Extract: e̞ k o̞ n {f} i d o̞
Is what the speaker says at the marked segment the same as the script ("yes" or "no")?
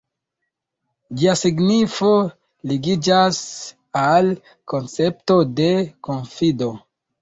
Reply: yes